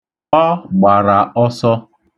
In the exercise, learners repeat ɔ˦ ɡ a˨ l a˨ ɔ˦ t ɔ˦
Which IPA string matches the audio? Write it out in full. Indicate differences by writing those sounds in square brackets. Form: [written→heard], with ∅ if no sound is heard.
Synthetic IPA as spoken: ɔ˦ [ɡ→ɡ͡b] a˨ [l→ɾ] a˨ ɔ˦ [t→s] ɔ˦